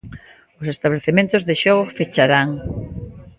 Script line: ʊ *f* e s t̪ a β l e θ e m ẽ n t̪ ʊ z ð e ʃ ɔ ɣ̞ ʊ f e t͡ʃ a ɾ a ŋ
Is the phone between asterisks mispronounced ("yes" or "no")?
yes